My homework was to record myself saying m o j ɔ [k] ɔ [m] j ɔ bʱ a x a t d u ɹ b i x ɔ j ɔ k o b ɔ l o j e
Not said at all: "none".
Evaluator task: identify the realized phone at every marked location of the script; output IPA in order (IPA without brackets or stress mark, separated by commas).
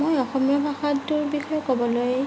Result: x, m